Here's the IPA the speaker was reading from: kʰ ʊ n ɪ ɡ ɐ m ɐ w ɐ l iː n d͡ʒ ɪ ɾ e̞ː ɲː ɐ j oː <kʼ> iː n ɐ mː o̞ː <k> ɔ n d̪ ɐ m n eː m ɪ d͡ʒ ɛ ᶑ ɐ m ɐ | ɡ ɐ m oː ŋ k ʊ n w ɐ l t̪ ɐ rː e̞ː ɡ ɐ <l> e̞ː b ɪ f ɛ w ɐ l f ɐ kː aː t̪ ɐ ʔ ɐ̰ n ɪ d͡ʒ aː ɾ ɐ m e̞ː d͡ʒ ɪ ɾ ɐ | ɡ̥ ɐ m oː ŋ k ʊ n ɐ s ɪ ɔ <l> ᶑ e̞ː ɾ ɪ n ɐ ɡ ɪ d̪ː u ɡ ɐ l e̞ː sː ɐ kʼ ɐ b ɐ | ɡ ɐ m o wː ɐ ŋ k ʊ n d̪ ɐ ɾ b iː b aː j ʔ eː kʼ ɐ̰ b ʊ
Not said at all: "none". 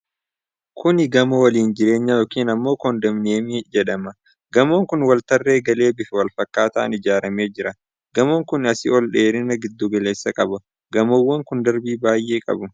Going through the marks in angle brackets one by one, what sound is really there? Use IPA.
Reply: k, k, l, l

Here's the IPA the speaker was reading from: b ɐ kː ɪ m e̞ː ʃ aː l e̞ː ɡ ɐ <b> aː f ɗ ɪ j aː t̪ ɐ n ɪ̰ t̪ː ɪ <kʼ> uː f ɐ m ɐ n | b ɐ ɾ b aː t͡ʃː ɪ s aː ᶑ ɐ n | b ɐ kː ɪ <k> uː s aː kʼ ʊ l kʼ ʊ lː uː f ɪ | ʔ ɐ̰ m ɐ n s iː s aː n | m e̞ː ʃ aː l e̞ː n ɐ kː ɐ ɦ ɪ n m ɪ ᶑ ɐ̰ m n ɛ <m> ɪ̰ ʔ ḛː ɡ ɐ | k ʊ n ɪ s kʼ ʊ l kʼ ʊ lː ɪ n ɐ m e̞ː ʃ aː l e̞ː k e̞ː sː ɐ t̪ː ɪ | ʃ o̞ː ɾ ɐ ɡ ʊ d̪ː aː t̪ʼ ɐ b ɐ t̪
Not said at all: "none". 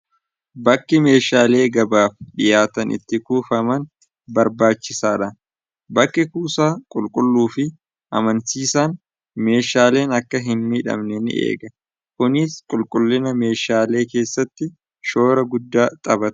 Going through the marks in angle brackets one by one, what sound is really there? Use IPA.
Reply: b, k, k, n

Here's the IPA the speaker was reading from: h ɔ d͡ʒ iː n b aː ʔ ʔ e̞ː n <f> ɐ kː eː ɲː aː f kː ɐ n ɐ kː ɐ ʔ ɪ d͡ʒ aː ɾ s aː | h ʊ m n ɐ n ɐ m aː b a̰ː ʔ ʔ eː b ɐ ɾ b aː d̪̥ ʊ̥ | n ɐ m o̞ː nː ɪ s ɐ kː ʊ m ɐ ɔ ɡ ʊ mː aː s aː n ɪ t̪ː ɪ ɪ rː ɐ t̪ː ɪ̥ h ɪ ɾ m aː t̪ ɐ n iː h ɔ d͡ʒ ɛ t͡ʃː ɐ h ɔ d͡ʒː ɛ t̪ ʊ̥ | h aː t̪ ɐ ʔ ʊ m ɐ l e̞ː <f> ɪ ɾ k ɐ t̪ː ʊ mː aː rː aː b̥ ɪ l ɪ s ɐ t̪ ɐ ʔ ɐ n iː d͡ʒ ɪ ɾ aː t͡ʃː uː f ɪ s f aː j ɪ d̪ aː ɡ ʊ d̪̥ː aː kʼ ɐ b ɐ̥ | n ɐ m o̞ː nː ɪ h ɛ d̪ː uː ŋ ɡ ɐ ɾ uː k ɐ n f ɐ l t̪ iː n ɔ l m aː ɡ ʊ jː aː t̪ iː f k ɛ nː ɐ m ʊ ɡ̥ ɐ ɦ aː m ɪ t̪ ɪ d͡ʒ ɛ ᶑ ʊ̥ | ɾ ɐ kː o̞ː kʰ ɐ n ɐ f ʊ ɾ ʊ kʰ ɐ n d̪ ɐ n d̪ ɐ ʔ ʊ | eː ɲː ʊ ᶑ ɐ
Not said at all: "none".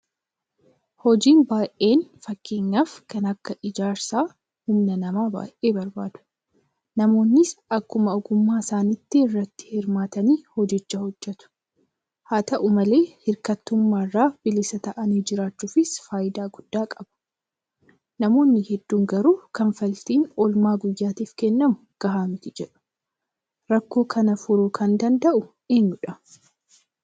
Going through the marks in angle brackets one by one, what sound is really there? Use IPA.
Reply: f, h

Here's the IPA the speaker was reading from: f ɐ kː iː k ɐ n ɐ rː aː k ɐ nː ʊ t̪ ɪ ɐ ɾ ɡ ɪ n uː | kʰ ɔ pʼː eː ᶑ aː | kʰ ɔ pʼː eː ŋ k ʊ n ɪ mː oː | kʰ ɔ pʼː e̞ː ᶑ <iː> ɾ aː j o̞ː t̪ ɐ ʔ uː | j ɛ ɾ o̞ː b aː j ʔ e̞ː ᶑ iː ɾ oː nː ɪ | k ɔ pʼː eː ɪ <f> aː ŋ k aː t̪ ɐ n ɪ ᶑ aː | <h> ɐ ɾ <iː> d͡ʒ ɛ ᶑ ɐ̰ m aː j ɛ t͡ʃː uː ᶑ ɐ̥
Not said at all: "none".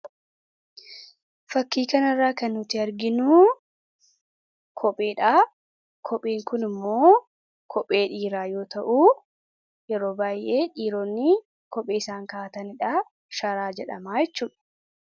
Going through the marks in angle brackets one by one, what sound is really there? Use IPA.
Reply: iː, s, ʃ, aː

